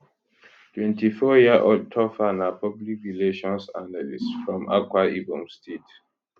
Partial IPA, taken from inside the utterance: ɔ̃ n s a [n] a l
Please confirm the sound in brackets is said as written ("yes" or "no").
yes